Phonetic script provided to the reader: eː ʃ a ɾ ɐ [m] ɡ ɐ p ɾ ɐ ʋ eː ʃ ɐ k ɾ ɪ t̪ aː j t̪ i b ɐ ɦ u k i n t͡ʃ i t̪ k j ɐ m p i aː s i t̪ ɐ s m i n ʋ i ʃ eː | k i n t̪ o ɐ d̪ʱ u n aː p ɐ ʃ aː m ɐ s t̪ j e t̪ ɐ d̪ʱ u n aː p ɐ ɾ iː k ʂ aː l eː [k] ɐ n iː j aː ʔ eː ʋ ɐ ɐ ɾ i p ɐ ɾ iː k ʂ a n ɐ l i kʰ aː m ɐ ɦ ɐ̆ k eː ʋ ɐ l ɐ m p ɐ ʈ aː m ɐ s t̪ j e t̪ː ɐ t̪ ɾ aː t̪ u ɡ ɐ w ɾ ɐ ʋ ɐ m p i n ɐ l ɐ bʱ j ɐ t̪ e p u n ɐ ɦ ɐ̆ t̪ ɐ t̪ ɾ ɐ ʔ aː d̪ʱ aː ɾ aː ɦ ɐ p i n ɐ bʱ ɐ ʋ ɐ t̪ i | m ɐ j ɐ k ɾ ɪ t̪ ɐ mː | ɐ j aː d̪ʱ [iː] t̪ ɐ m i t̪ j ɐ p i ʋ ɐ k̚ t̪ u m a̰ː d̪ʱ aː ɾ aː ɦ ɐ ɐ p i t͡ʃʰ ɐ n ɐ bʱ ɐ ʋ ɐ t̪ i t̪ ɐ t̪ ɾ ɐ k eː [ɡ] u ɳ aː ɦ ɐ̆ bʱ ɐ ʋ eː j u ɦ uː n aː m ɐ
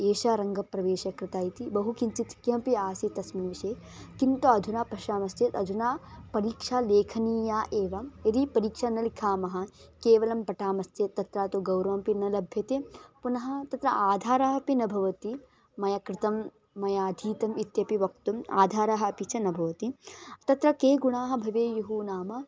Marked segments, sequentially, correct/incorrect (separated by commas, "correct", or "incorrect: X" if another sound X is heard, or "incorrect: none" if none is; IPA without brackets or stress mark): incorrect: ŋ, incorrect: kʰ, correct, correct